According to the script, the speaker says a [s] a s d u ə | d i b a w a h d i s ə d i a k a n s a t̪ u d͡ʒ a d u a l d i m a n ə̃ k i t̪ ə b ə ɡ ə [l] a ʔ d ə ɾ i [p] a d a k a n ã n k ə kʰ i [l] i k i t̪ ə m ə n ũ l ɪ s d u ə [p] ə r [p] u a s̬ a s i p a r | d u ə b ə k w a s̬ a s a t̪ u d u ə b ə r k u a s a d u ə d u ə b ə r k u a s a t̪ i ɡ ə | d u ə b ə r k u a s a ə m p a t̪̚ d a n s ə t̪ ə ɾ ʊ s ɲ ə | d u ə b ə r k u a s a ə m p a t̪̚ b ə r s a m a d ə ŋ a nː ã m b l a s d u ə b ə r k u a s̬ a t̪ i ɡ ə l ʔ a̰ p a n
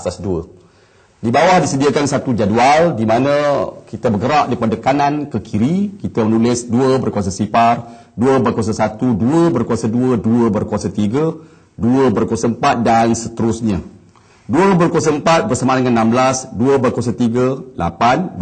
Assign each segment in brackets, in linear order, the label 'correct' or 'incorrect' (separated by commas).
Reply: correct, incorrect, correct, incorrect, incorrect, incorrect